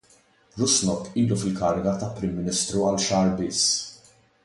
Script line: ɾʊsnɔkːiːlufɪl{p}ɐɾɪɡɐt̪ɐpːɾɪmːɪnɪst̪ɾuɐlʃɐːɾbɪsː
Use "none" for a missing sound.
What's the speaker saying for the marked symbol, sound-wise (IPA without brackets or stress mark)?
k